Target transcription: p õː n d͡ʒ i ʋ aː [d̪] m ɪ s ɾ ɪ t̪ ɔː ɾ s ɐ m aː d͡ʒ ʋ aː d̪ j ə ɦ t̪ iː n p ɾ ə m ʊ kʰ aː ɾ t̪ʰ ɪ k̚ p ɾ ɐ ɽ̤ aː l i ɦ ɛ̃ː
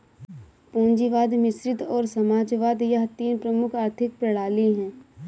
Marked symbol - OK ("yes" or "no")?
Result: yes